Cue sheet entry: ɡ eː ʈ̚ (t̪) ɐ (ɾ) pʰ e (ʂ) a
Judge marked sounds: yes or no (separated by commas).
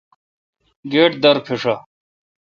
no, yes, yes